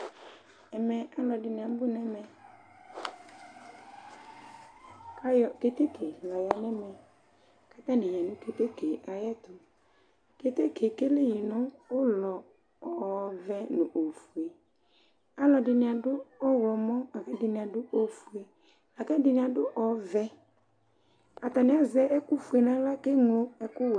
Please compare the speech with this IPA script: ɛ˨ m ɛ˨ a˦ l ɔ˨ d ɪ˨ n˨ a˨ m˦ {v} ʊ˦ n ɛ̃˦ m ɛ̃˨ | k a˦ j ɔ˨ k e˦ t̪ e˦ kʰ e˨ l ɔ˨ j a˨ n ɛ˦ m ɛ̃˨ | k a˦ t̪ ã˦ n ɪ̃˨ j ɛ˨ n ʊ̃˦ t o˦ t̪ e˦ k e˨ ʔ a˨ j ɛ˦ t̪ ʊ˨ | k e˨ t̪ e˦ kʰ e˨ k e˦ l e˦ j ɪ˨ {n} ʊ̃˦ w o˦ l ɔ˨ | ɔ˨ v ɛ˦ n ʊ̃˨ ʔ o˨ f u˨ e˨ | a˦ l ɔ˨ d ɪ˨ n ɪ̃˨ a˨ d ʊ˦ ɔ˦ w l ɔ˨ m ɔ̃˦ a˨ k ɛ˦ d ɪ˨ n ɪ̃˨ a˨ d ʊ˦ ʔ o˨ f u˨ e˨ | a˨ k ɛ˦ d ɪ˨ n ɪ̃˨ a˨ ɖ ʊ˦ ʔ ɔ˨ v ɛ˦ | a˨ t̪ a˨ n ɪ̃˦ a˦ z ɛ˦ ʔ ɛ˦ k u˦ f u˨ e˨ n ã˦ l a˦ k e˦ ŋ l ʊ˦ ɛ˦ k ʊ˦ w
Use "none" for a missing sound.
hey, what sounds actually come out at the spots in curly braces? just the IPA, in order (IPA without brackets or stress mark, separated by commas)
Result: b, n